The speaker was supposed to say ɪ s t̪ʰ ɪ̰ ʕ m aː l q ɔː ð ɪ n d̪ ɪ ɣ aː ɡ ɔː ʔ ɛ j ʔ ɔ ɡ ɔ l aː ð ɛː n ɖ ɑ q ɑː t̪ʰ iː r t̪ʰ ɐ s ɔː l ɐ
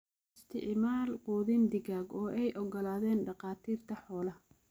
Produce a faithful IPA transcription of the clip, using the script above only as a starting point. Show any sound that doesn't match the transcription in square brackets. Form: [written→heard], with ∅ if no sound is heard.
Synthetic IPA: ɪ s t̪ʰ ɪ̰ ʕ m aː l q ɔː ð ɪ n d̪ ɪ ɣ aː ɡ ɔː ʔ ɛ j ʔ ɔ ɡ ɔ l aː ð ɛː n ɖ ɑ q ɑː t̪ʰ iː r t̪ʰ ɐ [s→ħ] ɔː l ɐ